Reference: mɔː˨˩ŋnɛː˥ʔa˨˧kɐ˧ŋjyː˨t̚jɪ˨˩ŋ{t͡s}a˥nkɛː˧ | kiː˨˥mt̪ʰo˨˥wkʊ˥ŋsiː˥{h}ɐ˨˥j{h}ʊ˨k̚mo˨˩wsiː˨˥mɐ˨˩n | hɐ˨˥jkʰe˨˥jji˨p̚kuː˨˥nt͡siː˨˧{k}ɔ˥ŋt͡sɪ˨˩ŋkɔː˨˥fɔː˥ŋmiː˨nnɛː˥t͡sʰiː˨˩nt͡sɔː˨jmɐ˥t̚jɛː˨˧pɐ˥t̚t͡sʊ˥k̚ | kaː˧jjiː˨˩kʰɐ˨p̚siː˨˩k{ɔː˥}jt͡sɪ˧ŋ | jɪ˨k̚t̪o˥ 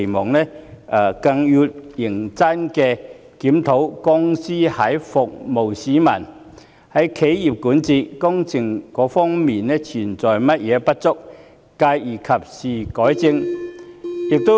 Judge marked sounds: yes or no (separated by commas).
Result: yes, yes, no, yes, no